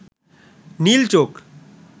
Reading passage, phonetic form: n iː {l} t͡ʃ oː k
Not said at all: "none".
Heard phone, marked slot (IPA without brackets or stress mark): l